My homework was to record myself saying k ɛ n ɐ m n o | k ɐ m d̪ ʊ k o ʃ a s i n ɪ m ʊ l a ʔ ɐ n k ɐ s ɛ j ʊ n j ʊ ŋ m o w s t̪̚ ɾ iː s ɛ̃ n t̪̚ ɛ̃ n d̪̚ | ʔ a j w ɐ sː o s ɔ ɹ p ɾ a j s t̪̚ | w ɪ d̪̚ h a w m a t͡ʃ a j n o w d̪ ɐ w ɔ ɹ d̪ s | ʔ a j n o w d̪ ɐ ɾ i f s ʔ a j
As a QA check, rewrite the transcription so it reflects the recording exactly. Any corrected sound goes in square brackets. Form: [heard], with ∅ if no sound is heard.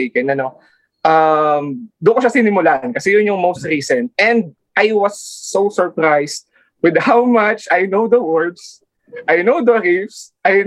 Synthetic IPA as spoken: k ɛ n ɐ [∅] n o | [ʔ] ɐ m d̪ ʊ k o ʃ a s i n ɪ m ʊ l a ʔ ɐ n k ɐ s ɛ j ʊ n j ʊ ŋ m o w s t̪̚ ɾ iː s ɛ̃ n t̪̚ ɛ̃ n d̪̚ | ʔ a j w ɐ sː o s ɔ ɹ p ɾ a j s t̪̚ | w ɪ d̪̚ h a w m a t͡ʃ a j n o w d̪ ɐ w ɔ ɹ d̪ s | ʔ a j n o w d̪ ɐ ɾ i f s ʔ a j